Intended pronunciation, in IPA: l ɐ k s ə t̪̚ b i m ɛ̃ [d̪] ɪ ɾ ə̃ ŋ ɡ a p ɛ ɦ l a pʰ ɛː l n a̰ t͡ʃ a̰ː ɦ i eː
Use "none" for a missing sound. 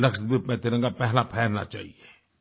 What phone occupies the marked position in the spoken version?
t̪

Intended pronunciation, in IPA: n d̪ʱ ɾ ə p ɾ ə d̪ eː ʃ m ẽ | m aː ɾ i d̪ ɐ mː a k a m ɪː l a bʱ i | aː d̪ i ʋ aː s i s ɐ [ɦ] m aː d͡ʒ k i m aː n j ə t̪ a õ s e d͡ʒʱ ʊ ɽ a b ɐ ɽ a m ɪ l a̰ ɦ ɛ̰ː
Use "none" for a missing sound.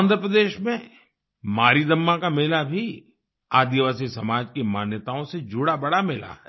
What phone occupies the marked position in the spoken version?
none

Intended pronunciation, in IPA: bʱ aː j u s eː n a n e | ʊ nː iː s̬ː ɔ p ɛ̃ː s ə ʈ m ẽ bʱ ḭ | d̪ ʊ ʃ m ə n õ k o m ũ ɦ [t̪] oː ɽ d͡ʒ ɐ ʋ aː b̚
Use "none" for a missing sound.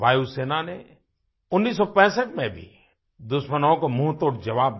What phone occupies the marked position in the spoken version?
t̪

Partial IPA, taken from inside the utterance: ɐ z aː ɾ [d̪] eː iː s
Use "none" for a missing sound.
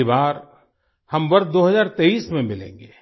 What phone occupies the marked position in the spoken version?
t̪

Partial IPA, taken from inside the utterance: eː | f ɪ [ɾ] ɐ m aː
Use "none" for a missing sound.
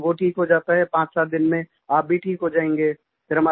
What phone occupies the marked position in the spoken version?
ɾ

